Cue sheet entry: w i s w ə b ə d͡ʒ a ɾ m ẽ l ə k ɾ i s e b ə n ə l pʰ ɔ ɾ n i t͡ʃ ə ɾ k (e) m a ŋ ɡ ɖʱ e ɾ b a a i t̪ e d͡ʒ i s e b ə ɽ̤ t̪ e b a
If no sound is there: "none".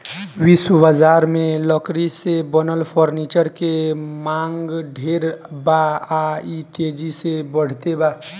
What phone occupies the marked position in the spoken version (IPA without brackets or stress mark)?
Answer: e